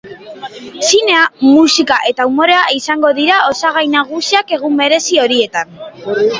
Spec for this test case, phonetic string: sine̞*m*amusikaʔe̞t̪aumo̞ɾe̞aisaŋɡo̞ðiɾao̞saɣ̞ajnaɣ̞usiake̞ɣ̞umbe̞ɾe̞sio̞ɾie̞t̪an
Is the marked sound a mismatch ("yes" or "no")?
yes